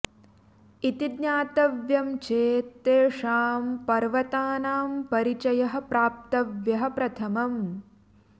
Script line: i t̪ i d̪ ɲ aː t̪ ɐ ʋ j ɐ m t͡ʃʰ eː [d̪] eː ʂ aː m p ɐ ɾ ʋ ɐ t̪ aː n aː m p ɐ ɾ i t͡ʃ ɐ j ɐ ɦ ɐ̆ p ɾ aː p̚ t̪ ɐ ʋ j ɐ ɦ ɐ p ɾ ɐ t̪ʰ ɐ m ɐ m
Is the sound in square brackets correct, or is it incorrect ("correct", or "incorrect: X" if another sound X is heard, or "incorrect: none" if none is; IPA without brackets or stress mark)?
incorrect: t̪